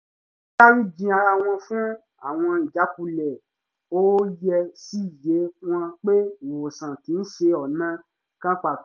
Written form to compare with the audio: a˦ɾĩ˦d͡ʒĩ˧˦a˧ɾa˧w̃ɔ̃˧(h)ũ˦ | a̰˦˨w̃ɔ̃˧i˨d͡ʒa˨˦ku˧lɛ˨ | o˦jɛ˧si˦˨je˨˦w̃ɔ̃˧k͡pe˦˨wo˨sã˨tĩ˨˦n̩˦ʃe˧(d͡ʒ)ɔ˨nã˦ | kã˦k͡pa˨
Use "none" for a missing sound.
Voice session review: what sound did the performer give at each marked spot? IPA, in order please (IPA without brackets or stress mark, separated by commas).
f, none